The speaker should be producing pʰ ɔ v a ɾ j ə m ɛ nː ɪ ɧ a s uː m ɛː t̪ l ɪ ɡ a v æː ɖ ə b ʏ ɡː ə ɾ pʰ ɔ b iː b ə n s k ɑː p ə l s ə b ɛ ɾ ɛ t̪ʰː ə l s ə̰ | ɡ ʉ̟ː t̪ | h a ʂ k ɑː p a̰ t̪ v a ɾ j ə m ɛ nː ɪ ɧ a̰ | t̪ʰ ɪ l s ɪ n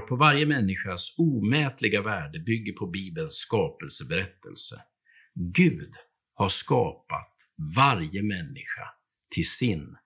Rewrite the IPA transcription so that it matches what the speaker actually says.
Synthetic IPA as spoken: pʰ ɔ v a ɾ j ə m ɛ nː ɪ ɧ a s uː m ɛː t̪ l ɪ ɡ a v æː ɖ ə b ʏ ɡː ə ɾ pʰ ɔ b iː b ə n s k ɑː p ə l s ə b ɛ ɾ ɛ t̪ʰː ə l s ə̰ | ɡ ʉ̟ː d̪ | h a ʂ k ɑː p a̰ t̪ v a ɾ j ə m ɛ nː ɪ ɧ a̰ | t̪ʰ ɪ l s ɪ n